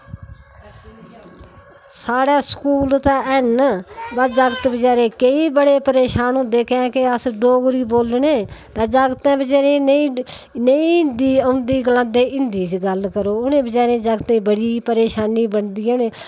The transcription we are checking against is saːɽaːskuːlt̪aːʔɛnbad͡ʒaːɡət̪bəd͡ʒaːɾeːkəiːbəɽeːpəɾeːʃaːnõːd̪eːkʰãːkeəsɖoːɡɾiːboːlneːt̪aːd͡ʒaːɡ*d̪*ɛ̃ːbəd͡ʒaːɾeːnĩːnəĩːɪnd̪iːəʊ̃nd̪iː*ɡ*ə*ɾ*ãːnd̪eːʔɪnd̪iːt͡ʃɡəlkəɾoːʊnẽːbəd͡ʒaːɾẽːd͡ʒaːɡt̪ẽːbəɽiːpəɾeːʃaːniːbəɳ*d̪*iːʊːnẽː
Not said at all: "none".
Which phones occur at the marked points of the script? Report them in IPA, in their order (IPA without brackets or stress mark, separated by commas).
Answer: t̪, ɡ, l, d̪